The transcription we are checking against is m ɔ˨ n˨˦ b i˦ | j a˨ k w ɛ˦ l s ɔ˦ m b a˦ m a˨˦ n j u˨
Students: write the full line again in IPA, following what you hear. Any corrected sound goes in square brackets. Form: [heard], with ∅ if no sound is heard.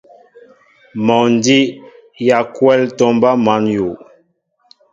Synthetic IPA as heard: m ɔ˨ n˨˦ [d] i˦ | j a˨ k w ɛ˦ l [t] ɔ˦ m b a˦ m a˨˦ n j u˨

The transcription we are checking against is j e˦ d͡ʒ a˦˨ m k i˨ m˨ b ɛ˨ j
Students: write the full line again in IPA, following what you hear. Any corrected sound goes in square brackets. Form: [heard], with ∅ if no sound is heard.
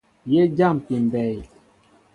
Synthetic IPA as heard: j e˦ d͡ʒ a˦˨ m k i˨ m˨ b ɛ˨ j

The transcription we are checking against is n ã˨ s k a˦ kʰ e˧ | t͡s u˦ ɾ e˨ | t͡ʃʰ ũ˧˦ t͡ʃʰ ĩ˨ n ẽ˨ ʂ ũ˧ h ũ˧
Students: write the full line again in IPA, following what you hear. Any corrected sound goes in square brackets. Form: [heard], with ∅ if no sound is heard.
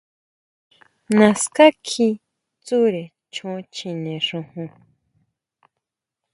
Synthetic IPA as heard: n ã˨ s k a˦ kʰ [i˧] | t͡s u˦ ɾ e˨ | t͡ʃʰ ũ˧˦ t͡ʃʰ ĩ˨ n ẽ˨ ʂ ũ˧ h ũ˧

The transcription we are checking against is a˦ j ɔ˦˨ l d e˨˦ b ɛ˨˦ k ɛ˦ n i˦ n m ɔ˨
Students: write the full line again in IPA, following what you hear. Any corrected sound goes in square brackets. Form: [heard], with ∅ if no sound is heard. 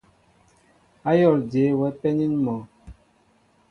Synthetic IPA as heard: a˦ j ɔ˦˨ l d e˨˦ [w] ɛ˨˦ [p] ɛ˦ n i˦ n m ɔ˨

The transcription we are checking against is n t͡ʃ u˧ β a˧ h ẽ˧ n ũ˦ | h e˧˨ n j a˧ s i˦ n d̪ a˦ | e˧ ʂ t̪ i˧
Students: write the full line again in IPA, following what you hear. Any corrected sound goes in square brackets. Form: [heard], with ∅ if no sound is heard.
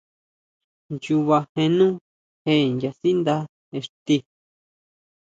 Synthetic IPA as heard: n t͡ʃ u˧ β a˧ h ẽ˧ n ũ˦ | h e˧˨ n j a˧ s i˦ n d̪ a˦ | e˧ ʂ t̪ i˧

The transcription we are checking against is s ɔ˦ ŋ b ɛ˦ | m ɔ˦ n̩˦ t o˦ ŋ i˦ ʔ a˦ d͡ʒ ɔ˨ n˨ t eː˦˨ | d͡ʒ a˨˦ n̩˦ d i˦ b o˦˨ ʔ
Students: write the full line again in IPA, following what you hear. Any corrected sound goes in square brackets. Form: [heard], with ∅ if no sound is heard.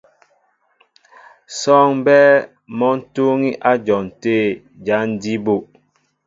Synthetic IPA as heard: s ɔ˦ ŋ b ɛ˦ | m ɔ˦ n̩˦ t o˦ ŋ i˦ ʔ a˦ d͡ʒ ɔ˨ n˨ t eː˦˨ | d͡ʒ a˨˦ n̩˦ d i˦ b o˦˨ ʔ

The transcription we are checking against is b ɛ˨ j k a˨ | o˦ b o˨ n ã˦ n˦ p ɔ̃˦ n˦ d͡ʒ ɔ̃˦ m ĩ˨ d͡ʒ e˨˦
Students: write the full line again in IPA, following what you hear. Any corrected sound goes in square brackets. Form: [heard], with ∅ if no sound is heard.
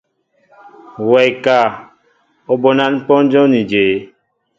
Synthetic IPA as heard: [w] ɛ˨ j k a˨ | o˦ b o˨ n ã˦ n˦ p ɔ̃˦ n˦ d͡ʒ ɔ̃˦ [n] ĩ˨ d͡ʒ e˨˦

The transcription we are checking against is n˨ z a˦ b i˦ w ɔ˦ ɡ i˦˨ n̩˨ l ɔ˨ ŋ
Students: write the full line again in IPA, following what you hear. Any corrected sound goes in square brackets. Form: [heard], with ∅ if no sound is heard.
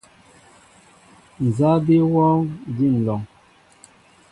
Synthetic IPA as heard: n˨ z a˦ b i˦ w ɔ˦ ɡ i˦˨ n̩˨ l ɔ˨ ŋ

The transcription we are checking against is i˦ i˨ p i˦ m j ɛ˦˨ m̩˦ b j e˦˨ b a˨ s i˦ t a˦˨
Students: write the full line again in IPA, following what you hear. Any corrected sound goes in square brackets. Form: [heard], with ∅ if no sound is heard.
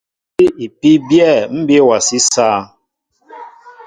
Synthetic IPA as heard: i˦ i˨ p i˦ [b] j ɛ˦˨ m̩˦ b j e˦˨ [w] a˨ s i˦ [s] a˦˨

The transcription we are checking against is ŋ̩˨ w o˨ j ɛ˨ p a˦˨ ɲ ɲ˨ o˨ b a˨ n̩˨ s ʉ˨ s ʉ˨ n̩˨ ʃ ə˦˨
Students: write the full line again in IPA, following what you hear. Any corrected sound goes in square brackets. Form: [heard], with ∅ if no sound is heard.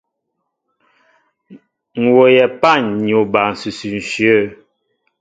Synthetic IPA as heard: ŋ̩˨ w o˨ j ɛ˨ p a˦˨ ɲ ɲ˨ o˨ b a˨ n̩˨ s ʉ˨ s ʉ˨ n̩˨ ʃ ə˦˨

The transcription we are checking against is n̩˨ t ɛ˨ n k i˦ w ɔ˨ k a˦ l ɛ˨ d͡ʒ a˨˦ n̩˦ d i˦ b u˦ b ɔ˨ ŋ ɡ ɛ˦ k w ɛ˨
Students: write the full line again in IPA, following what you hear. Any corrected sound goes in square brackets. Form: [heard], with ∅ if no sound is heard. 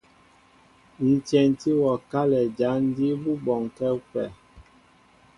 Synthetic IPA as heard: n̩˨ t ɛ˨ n [t] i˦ w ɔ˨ k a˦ l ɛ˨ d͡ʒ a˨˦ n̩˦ d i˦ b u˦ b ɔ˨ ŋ [k] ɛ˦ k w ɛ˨

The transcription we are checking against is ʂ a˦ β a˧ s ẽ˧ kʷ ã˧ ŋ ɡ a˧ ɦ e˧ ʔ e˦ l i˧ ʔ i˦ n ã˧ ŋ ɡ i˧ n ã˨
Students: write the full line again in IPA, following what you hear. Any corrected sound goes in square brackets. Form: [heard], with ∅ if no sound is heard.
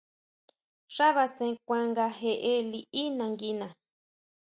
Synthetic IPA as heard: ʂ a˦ β a˧ s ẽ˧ kʷ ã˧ ŋ ɡ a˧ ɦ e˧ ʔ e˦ l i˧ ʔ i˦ n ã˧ ŋ ɡ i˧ n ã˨

